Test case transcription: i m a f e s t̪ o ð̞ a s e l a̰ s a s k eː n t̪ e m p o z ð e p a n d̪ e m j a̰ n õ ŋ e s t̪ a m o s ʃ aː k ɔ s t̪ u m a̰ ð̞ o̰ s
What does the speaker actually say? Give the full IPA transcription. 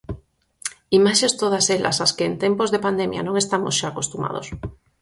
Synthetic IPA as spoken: i m a ʃ e s t̪ o ð̞ a s e l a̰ s a s k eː n t̪ e m p o z ð e p a n d̪ e m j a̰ n õ ŋ e s t̪ a m o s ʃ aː k o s t̪ u m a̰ ð̞ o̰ s

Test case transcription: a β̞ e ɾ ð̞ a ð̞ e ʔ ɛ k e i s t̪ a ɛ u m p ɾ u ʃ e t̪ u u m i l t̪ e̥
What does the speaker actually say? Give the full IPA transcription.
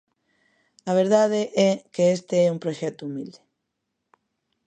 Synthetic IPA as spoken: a β̞ e ɾ ð̞ a ð̞ e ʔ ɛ k e e s t̪ e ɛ u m p ɾ o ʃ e t̪ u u m i l d̪ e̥

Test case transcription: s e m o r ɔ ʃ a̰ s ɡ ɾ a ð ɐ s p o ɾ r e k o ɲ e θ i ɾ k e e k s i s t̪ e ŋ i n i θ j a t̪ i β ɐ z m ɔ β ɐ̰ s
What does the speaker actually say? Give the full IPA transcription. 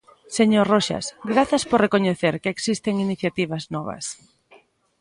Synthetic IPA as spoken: s e ɲ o r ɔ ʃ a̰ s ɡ ɾ a θ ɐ s p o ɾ r e k o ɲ e θ e ɾ k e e k s i s t̪ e ŋ i n i θ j a t̪ i β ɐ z n ɔ β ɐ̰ s

